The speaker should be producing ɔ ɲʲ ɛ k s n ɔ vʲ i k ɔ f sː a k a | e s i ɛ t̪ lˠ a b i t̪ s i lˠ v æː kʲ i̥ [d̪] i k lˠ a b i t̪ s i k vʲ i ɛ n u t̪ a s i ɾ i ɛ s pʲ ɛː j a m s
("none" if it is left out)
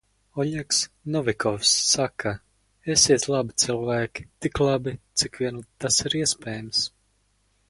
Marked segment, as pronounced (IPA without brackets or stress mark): t̪